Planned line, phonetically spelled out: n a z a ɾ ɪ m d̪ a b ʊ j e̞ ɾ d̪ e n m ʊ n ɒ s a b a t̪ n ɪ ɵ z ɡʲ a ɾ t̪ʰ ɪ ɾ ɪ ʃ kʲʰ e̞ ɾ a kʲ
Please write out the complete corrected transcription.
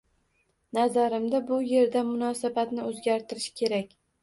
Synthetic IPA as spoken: n a z a ɾ ɪ m d̪ a b ʊ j e̞ ɾ d̪ a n m ʊ n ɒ s a b a t̪ n ɪ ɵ z ɡʲ a ɾ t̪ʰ ɪ ɾ ɪ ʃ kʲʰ e̞ ɾ a kʲ